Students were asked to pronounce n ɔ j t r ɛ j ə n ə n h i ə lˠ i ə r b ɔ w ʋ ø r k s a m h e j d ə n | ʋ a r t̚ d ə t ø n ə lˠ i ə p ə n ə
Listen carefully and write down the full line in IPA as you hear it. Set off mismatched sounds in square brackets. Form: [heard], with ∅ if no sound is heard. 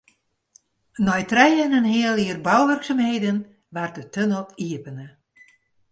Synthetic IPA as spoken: n ɔ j t r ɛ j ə n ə n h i ə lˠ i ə r b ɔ w ʋ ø r k s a m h e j d ə n | ʋ a r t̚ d ə t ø n ə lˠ i ə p ə n ə